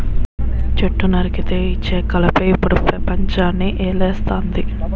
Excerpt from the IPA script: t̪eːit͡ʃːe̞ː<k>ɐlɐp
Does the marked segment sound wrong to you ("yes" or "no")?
no